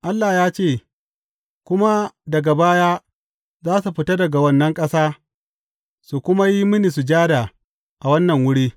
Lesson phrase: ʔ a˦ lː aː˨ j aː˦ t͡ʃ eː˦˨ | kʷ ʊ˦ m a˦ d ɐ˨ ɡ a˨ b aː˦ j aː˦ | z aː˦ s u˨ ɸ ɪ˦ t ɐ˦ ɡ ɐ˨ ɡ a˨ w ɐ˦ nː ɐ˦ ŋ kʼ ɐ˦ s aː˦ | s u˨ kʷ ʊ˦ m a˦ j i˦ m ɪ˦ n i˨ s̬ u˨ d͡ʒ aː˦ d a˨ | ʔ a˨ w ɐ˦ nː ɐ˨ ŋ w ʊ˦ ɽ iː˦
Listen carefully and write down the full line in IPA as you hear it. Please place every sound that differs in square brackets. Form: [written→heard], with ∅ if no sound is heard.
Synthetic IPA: ʔ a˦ lː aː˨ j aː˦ t͡ʃ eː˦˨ | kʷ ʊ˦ m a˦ d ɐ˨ ɡ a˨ b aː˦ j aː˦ | z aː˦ s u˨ ɸ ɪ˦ t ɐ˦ [ɡ→d] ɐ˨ ɡ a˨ w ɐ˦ nː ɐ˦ ŋ kʼ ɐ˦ s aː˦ | s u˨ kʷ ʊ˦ m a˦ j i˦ m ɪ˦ n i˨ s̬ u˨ d͡ʒ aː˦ d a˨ | ʔ a˨ w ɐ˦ nː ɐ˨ ŋ w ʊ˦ ɽ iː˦